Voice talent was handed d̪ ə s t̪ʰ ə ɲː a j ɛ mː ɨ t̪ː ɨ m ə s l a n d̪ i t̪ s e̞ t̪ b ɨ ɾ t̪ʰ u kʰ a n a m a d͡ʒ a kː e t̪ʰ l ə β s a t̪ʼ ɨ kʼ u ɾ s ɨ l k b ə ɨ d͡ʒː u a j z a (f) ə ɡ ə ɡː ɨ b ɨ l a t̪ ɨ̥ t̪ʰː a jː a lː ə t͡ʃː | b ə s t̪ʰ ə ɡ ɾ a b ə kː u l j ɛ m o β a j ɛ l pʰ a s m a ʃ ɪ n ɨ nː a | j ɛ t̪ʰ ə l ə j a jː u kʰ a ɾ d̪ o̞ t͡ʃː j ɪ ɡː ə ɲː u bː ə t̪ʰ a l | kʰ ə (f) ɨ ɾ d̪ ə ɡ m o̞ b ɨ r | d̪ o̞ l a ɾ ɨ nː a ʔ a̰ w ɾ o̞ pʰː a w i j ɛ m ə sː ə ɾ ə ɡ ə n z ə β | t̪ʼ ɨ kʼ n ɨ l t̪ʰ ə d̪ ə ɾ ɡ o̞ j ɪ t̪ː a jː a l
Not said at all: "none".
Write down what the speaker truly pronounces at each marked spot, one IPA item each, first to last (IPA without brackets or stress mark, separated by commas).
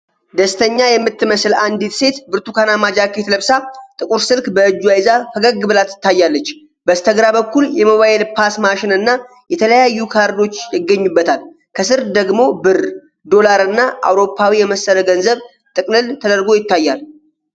f, s